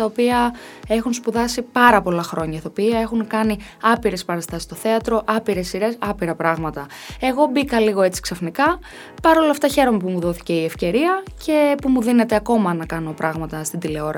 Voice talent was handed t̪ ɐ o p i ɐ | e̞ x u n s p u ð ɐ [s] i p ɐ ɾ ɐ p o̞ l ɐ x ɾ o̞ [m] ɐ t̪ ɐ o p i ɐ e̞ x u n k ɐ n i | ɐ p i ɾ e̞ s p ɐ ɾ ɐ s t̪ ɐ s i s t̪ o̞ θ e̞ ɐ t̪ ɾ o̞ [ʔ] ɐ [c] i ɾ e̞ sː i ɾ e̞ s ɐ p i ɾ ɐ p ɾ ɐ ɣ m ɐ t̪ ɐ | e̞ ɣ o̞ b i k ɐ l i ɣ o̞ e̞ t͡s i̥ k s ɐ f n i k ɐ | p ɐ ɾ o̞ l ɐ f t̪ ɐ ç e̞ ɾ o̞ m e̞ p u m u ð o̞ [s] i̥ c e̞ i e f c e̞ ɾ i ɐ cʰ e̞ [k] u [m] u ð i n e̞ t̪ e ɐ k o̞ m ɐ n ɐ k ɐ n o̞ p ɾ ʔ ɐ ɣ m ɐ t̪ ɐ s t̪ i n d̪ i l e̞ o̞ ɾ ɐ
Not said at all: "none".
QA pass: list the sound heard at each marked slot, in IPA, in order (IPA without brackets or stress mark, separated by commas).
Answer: s, ɲ, ʔ, p, θ, p, m